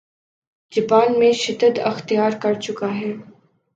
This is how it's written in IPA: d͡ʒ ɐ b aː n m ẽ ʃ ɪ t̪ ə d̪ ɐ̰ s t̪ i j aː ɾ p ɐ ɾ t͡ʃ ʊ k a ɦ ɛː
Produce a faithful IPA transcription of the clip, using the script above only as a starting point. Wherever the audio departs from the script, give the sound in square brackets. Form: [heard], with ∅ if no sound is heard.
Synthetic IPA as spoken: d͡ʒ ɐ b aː n m ẽ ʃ ɪ [d̪] ə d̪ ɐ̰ [x] t̪ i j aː ɾ [k] ɐ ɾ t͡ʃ ʊ k a ɦ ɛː

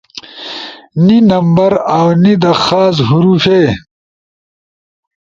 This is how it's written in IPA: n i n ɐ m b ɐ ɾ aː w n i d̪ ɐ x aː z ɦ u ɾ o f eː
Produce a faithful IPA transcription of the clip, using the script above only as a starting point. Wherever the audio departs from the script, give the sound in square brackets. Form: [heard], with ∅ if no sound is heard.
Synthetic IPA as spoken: n i n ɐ m b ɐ ɾ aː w n i d̪ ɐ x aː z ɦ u ɾ [u] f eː

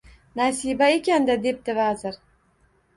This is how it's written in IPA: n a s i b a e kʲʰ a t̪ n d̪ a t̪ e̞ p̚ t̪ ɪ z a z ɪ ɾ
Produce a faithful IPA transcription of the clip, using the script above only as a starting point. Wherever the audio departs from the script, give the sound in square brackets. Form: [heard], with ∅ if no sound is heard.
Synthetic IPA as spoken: n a s i b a e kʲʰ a [∅] n d̪ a [d̪] e̞ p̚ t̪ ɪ [v] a z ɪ ɾ

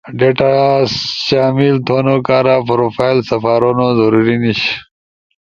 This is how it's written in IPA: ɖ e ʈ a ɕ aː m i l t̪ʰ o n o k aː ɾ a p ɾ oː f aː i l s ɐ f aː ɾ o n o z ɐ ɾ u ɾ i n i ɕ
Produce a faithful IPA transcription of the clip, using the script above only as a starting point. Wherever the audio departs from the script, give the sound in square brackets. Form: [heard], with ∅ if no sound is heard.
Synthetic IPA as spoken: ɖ e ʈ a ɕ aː m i l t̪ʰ o n o k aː ɾ a p ɾ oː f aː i l s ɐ f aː ɾ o n o z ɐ ɾ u ɾ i n i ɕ

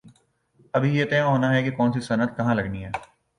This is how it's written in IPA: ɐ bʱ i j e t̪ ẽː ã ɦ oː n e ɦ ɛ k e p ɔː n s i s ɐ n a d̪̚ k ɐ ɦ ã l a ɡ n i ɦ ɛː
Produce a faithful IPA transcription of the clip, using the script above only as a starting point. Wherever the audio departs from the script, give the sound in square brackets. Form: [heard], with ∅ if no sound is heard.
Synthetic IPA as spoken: ɐ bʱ i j e t̪ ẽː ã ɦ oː n [a] ɦ ɛ k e [k] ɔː n s i s ɐ n [ə] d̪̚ k ɐ ɦ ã l [ɐ] ɡ n i ɦ ɛː

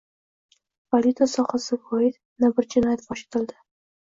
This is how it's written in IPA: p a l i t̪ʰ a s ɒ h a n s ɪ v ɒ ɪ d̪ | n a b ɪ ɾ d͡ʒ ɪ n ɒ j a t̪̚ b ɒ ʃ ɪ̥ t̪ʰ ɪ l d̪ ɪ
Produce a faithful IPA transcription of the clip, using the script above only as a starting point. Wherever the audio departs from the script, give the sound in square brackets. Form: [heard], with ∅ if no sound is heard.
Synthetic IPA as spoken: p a l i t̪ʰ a s ɒ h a [∅] s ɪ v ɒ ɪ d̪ | n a b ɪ ɾ d͡ʒ ɪ n ɒ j a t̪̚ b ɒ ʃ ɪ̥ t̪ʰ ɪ l d̪ ɪ

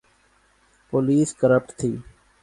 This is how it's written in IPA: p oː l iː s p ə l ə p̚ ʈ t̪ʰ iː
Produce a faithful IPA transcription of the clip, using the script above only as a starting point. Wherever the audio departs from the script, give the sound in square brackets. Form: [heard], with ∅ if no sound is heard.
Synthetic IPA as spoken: p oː l iː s [k] ə [ɾ] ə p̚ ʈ t̪ʰ iː

